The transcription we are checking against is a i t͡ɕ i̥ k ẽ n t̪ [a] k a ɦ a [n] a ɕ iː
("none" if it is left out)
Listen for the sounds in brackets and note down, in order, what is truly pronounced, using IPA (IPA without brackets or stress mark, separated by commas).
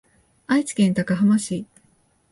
a, m